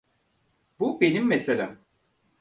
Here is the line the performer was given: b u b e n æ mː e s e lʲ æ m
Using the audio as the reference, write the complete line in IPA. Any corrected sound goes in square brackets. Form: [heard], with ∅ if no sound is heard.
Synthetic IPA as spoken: b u b e n [i] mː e s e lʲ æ m